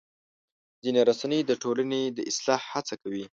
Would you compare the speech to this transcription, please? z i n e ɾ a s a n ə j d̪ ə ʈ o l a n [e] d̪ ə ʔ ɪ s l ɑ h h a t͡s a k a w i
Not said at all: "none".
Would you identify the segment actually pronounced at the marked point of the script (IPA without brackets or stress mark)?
e